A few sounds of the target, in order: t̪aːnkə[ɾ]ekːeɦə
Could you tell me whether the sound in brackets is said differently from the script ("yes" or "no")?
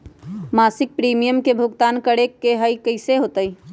yes